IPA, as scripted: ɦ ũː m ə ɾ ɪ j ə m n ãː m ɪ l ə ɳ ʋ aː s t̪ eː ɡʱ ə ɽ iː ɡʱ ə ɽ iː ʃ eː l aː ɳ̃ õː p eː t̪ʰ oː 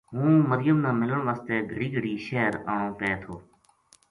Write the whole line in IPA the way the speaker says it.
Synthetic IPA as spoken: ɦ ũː m ə ɾ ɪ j ə m n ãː m ɪ l ə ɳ ʋ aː s t̪ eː ɡʱ ə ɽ iː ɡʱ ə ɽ iː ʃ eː ɾ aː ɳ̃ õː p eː t̪ʰ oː